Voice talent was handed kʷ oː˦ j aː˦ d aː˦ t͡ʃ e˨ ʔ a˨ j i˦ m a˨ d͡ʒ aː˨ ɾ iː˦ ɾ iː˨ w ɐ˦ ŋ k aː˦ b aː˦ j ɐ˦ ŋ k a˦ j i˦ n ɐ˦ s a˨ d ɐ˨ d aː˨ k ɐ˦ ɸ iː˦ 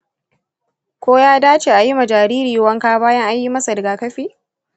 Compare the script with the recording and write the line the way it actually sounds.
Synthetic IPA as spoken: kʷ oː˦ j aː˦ d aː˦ t͡ʃ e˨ ʔ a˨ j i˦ m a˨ d͡ʒ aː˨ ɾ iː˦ ɾ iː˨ w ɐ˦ ŋ k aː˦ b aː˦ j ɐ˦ ŋ ʔ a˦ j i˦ m ɐ˦ s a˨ d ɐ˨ ɡ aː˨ k ɐ˦ ɸ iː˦